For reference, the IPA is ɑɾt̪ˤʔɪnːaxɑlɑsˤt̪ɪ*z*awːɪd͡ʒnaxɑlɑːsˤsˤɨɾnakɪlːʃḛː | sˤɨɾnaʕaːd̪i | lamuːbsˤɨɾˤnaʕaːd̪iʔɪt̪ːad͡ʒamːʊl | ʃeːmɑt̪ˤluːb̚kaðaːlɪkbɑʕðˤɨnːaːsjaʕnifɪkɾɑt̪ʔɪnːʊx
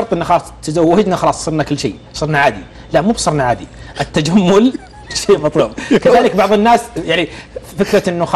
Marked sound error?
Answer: no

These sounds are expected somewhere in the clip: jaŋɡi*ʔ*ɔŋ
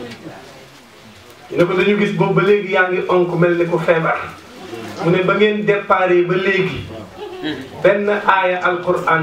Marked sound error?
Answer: no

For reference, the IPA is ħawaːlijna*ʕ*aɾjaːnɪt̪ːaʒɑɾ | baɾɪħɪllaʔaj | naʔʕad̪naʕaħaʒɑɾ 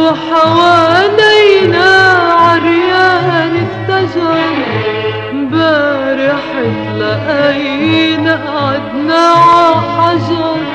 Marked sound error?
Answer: no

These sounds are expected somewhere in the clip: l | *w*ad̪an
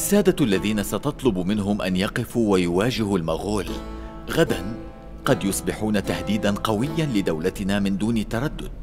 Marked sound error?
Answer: yes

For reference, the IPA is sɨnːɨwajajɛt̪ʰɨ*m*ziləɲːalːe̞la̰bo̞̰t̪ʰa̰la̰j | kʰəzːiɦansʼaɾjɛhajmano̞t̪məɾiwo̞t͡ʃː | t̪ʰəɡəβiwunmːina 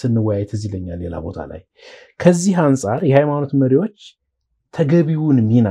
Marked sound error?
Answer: yes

